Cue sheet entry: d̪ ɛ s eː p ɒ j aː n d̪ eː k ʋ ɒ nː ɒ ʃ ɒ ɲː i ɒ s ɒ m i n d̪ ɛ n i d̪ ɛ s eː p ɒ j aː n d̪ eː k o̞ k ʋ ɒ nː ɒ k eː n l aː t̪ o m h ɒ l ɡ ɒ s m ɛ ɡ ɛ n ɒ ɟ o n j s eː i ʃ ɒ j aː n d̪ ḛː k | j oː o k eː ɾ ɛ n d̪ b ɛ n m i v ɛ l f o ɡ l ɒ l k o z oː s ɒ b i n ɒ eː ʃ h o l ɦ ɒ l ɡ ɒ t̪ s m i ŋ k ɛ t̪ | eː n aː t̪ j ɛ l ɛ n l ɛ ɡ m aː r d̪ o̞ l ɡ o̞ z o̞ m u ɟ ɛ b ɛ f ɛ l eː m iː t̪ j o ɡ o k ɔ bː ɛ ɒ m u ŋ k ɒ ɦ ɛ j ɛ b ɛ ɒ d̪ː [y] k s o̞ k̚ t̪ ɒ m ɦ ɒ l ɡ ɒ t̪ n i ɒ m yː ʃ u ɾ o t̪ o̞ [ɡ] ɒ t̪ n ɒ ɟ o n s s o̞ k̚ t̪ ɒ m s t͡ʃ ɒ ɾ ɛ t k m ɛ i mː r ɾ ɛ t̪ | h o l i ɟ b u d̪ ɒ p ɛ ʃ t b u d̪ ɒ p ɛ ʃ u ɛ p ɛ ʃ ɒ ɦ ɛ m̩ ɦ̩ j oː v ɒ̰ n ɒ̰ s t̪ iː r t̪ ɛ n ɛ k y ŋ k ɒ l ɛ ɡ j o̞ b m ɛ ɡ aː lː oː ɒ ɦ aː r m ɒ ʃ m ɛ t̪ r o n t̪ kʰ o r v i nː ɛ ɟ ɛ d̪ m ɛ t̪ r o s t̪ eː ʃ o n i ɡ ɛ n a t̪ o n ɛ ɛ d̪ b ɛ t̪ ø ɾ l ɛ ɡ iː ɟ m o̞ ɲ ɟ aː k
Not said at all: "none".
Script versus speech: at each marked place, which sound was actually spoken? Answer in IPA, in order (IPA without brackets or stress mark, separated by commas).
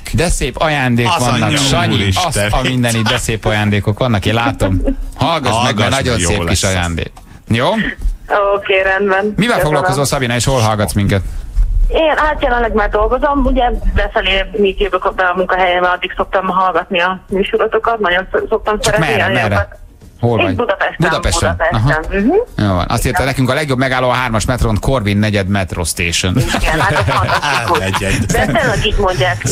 i, k